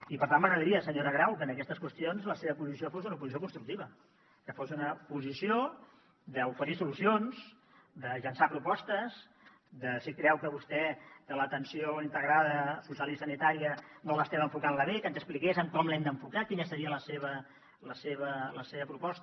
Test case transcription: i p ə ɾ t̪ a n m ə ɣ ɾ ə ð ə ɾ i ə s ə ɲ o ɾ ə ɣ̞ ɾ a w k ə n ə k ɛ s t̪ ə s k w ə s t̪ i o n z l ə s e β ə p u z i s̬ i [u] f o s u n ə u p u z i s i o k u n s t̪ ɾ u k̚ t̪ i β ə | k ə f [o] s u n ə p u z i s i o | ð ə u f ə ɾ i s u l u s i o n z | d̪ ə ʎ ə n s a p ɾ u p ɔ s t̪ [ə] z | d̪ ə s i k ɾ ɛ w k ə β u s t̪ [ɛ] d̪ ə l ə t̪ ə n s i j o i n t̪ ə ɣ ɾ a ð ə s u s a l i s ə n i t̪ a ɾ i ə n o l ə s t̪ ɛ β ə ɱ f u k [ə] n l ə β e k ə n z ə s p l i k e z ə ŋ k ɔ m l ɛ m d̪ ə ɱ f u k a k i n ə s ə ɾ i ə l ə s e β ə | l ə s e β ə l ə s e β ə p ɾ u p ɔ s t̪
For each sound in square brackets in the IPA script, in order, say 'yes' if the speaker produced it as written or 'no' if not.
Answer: no, yes, yes, yes, no

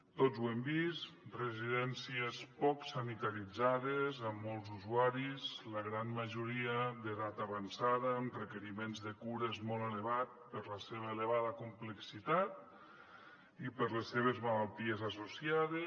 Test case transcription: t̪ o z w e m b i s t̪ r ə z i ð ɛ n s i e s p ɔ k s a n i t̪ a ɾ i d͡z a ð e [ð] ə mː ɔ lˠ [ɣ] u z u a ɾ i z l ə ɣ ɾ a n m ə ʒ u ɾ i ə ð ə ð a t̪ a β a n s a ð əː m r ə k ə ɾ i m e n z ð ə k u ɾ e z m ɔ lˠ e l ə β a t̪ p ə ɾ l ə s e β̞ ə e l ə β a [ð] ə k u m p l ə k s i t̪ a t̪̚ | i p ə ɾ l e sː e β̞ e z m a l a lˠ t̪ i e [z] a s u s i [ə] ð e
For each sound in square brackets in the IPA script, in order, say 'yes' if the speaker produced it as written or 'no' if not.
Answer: no, no, yes, yes, no

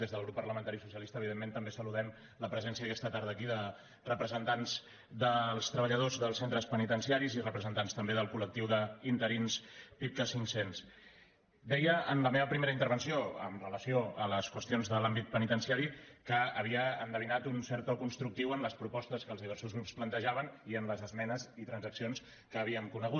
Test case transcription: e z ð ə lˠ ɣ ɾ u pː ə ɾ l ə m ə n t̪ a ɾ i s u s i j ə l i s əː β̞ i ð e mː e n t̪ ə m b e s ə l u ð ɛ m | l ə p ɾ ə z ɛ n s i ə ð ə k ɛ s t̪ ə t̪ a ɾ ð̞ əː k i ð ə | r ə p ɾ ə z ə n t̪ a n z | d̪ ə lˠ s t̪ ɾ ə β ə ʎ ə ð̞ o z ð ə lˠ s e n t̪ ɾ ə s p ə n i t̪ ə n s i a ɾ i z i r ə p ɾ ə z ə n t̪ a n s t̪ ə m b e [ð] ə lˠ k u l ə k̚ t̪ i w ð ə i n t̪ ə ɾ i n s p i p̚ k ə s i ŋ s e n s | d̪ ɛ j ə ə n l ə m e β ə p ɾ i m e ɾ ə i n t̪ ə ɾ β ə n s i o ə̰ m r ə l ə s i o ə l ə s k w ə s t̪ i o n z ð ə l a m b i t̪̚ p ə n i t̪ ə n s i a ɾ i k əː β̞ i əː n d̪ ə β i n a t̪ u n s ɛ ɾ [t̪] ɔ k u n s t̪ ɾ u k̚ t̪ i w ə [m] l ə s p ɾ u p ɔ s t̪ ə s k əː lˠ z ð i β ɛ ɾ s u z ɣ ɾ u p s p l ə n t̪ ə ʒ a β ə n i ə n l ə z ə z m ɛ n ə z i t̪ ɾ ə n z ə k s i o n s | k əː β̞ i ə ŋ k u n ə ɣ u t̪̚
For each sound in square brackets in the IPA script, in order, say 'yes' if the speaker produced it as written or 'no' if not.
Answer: yes, yes, no

